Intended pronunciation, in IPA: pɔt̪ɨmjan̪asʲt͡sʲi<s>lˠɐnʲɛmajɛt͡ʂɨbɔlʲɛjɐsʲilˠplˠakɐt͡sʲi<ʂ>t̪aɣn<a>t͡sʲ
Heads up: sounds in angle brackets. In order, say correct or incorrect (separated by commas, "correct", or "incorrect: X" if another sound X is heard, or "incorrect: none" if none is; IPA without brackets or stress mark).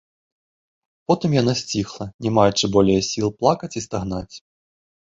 incorrect: x, incorrect: s, correct